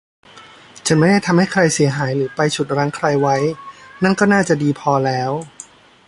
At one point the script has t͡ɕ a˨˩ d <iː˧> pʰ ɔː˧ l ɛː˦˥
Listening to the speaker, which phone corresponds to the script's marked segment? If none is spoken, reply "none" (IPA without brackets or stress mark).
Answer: iː˧